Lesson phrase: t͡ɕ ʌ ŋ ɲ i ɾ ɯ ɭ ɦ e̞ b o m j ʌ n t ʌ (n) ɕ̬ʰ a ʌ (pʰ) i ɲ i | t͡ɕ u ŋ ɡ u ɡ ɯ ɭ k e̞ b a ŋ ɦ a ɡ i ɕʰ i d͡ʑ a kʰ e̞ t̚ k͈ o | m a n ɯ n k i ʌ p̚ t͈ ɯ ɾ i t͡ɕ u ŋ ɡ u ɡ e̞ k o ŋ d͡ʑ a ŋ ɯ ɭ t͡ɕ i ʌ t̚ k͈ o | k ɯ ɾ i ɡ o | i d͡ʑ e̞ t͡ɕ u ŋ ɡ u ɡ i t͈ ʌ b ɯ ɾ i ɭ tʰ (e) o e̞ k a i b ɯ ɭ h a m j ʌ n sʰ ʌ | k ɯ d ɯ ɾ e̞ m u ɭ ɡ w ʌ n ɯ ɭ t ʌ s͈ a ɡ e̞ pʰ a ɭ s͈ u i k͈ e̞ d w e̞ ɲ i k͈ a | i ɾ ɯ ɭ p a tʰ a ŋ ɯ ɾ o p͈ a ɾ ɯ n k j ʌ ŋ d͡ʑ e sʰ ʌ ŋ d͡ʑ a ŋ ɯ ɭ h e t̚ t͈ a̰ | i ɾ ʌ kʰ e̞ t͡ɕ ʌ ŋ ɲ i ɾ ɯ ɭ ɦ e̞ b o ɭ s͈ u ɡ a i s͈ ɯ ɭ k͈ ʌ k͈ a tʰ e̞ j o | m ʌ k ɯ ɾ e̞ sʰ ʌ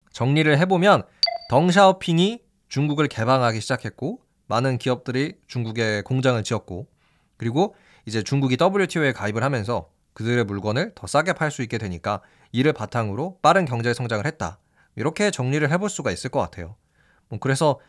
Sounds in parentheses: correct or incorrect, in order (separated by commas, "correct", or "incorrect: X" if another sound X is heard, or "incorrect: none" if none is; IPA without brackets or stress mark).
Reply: incorrect: ŋ, correct, incorrect: i